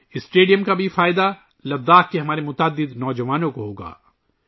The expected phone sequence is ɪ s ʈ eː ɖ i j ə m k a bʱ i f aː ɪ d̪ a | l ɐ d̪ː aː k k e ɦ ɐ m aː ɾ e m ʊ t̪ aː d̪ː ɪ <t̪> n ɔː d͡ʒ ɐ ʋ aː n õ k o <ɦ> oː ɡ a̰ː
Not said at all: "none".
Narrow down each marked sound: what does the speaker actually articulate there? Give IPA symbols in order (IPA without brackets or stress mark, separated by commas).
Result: d̪, ɦ